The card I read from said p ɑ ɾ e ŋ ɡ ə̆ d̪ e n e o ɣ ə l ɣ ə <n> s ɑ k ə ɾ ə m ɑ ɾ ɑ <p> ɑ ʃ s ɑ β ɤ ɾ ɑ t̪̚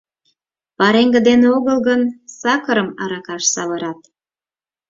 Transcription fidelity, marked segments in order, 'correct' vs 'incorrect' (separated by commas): correct, incorrect